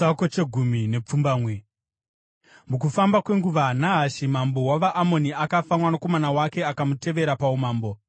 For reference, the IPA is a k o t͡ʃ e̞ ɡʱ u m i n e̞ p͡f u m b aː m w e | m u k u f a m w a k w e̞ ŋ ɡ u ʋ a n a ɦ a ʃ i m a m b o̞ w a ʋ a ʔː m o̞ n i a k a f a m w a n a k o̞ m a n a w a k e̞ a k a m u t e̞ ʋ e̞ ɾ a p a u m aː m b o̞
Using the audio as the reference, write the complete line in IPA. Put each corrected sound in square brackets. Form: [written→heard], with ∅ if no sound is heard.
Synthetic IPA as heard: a k o t͡ʃ e̞ ɡʱ u m i n e̞ p͡f u m b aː m w e | m u k u f a m [w→b] a k w e̞ ŋ ɡ u ʋ a n a ɦ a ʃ i m a m b o̞ w a ʋ a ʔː m o̞ n i a k a f a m w a n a k o̞ m a n a w a k e̞ a k a m u t e̞ ʋ e̞ ɾ a p a u m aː m b o̞